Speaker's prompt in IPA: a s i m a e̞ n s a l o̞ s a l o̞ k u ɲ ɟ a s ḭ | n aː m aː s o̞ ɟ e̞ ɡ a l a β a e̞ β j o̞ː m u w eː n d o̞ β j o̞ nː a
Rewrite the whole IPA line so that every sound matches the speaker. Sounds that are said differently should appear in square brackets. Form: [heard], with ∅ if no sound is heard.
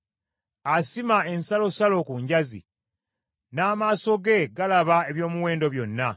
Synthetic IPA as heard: a s i m a e̞ n s a l o̞ s a l o̞ k u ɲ ɟ a [z] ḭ | n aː m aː s o̞ [ɡ] e̞ ɡ a l a β a e̞ β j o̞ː m u w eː n d o̞ β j o̞ nː a